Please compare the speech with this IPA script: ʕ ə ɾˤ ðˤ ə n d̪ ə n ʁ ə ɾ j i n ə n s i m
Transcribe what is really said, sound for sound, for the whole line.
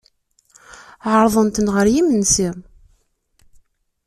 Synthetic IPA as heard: ʕ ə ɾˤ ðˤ ə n t̪ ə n ʁ ə ɾ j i m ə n s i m